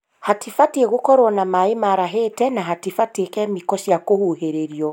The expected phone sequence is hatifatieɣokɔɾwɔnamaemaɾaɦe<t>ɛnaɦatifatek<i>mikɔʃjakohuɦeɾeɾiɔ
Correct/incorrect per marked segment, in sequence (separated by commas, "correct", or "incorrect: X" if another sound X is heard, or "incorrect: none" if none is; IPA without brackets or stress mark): correct, incorrect: ɛ